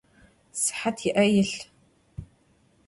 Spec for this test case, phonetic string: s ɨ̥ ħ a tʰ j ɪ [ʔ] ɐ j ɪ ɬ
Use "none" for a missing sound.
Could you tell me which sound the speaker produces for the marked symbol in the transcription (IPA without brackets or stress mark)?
ʔ